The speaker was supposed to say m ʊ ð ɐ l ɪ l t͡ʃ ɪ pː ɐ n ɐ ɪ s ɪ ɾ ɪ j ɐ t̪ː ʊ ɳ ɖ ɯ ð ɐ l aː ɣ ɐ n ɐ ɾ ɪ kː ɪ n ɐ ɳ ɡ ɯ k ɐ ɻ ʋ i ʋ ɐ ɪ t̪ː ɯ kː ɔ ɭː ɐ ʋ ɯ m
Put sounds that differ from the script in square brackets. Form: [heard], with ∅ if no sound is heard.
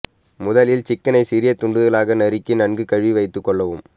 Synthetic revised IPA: m ʊ ð ɐ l ɪ l t͡ʃ ɪ [kː] ɐ n ɐ ɪ s ɪ ɾ ɪ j ɐ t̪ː ʊ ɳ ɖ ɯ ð ɐ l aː ɣ ɐ n ɐ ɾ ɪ kː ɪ n ɐ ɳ ɡ ɯ k ɐ ɻ ʋ i ʋ ɐ ɪ t̪ː ɯ kː ɔ ɭː ɐ ʋ ɯ m